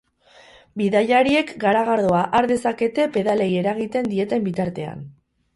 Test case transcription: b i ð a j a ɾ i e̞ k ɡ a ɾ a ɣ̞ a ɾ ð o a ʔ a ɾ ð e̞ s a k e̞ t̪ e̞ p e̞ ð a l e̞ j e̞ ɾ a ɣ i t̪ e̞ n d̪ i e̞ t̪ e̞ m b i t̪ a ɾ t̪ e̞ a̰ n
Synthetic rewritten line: b i ð a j a ɾ i e̞ k ɡ a ɾ a ɣ̞ a ɾ ð o a ʔ a ɾ ð e̞ s a k e̞ t̪ e̞ p e̞ ð a l e̞ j e̞ ɾ a ɣ i t̪ e̞ n d̪ i e̞ t̪ e̞ m b i t̪ a ɾ t̪ e̞ a̰ n